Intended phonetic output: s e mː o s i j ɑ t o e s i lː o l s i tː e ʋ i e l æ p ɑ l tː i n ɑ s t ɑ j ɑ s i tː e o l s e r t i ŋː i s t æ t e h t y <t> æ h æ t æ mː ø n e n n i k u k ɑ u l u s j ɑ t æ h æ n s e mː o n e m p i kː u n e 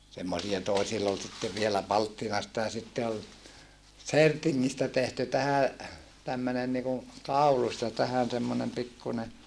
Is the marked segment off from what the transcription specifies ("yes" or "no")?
no